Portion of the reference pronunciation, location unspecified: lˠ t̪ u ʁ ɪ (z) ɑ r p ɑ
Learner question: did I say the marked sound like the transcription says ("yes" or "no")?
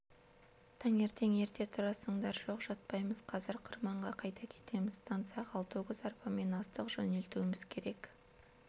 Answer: yes